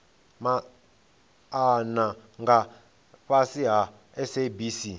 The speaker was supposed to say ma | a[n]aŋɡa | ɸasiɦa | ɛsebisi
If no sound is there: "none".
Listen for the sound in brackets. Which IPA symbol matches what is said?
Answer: n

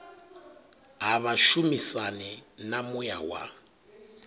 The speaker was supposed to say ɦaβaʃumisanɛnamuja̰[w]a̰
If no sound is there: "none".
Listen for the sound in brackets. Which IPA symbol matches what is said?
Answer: w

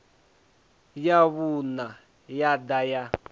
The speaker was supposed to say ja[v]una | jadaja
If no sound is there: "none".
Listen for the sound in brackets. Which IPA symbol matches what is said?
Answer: β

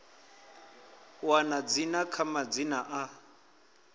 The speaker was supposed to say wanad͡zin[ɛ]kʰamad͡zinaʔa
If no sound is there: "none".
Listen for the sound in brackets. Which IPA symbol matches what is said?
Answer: a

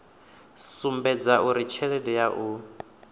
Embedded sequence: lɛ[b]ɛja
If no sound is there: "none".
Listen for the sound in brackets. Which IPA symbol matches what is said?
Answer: d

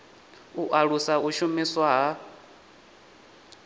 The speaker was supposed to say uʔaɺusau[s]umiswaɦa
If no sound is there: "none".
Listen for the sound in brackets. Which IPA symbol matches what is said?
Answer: ʃ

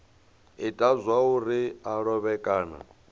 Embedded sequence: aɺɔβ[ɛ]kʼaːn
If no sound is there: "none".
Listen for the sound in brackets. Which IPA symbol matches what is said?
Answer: ɛ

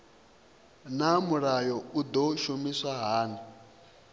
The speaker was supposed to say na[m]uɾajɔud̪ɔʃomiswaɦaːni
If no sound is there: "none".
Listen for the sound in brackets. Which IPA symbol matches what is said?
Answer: m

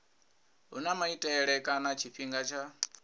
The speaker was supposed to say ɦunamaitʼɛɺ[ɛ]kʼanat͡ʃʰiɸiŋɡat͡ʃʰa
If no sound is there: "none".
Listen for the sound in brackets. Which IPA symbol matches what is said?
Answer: ɛ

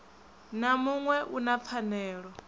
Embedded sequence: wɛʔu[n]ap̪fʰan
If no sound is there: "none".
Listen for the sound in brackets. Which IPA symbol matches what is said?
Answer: n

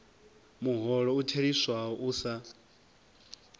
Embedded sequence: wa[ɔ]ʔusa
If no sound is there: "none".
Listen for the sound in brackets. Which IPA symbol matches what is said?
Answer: ɔ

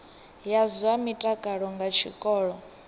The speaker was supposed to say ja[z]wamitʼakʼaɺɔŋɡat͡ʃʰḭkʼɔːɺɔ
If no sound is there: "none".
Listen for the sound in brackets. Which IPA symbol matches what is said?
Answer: z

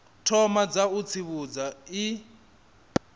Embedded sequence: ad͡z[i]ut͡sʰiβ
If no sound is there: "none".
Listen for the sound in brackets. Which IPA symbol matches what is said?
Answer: a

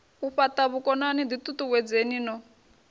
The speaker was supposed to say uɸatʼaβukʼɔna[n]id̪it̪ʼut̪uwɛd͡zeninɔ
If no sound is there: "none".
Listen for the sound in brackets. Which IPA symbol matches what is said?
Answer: n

